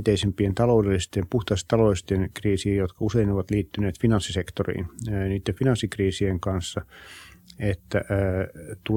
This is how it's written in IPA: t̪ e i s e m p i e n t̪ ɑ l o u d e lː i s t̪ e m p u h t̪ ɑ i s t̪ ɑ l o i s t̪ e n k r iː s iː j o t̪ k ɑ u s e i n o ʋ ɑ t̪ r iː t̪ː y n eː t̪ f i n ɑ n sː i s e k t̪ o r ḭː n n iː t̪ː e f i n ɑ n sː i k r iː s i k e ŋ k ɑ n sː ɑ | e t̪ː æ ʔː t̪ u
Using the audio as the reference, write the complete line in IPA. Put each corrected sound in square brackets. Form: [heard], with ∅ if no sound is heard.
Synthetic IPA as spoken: t̪ e i s e m p i e n t̪ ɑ l o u d e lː i s t̪ e m p u h t̪ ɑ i s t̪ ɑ l o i s t̪ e n k r iː s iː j o t̪ k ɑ u s e i n o ʋ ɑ t̪ [l] iː t̪ː y n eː t̪ f i n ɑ n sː i s e k t̪ o r ḭː n n iː t̪ː e f i n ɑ n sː i k r iː s i [∅] e ŋ k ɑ n sː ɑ | e t̪ː æ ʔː t̪ u